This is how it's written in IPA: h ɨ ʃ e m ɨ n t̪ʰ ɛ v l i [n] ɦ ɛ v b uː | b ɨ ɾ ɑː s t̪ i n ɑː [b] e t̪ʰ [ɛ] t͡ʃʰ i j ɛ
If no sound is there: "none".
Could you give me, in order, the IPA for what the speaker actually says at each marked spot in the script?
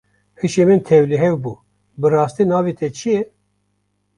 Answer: none, v, ɛ

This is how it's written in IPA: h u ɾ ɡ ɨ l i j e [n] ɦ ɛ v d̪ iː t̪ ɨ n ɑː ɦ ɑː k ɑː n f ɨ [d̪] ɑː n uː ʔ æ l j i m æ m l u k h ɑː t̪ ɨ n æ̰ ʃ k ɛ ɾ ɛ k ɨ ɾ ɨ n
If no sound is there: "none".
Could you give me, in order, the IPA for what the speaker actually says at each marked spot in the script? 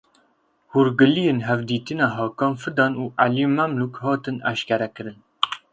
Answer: n, d̪

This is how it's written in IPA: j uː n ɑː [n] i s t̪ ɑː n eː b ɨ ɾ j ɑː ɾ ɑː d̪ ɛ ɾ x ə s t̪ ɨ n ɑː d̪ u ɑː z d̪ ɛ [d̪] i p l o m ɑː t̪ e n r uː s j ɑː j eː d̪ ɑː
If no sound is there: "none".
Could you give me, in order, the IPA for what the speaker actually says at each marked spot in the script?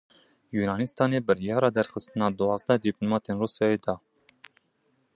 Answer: n, d̪

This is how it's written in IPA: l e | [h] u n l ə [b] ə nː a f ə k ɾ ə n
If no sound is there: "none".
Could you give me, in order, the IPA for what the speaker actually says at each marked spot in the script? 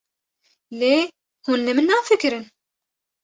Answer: h, m

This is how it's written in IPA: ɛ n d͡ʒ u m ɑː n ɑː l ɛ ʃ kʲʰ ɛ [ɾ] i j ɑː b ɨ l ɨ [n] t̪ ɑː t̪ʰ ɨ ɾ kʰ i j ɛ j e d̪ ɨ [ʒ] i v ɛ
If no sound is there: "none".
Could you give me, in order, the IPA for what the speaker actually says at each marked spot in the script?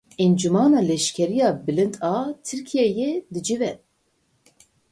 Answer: ɾ, n, d͡ʒ

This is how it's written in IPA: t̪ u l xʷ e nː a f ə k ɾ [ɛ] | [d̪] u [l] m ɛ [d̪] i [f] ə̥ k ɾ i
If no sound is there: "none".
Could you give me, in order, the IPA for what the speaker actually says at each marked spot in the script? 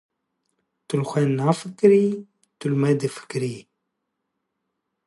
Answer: i, t̪, l, d̪, f

